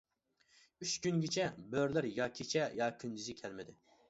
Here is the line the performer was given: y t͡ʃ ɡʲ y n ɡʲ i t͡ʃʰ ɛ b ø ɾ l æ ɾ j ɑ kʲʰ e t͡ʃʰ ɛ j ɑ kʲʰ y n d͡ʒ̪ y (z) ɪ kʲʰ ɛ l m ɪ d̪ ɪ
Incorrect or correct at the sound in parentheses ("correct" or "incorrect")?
correct